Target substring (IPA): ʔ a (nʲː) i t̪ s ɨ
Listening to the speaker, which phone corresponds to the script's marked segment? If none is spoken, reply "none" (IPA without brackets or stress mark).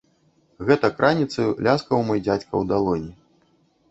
nʲ